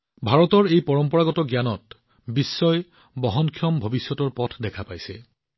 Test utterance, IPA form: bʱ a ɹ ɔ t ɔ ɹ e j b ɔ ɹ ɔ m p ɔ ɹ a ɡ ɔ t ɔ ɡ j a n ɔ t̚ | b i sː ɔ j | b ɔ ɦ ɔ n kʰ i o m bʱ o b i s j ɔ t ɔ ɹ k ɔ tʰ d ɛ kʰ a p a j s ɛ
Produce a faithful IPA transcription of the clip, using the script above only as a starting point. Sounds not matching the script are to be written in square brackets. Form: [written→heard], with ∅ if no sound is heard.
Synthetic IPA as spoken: bʱ a ɹ ɔ t ɔ ɹ e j [b→p] ɔ ɹ ɔ m p ɔ ɹ a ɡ ɔ t ɔ ɡ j a n ɔ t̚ | b i sː ɔ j | b ɔ ɦ ɔ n kʰ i [o→ɔ] m bʱ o b i s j ɔ t ɔ ɹ [k→p] ɔ tʰ d ɛ kʰ a p a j s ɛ